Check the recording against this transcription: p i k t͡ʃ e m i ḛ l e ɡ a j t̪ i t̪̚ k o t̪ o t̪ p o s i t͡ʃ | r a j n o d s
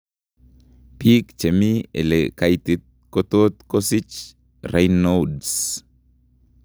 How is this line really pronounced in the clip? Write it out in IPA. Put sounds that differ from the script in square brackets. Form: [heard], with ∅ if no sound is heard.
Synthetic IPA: p i k t͡ʃ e m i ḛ l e [k] a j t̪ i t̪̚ k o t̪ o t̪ [k] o s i t͡ʃ | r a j n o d s

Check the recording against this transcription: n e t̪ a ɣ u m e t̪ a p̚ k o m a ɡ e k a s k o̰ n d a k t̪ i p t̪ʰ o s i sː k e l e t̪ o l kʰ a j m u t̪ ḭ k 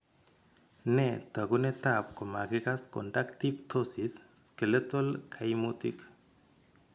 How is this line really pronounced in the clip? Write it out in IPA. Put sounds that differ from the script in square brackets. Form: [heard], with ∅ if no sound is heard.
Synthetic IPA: n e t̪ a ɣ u [n] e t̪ a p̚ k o m a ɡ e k a s k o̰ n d a k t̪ i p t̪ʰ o s i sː k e l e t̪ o l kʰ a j m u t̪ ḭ k

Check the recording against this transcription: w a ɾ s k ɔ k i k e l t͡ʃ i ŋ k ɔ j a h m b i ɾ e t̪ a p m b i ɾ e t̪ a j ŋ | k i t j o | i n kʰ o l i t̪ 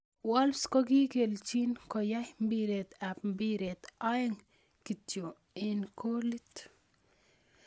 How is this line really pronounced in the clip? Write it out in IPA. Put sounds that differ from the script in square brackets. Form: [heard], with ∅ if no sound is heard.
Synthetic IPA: w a [l] s k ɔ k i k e l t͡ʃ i [n] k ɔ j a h m b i ɾ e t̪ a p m b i ɾ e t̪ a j ŋ | k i t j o | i n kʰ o l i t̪

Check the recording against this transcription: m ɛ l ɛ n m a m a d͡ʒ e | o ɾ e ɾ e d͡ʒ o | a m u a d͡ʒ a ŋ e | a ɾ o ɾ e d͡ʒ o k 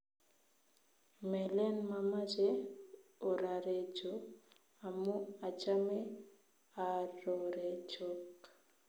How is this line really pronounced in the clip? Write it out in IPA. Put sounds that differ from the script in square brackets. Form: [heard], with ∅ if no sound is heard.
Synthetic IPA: m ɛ l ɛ n m a m a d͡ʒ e | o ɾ [a] ɾ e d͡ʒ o | a m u a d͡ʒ a [m] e | a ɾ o ɾ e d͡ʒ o k

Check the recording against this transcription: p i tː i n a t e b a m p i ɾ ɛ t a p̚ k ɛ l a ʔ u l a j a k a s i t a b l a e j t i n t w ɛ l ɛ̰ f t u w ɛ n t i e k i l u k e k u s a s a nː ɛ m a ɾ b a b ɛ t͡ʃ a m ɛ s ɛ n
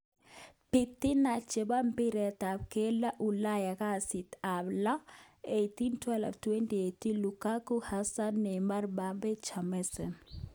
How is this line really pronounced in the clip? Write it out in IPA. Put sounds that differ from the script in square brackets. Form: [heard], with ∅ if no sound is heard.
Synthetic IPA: p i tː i n a [t͡ʃ] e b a m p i ɾ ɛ t a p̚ k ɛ l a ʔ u l a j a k a s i t a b l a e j t i n t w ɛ l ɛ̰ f t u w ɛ n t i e [t] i l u k [a] k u [h] a s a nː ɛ m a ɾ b a b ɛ t͡ʃ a m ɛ s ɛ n

